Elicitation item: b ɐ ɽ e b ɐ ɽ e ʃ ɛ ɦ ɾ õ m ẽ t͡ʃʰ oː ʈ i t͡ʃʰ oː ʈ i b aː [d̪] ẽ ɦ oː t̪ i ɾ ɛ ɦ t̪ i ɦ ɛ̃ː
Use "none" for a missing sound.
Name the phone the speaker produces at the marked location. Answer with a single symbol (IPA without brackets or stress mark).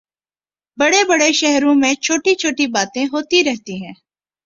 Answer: t̪